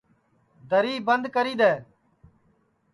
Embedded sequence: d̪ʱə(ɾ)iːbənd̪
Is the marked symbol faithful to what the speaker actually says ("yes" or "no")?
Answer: yes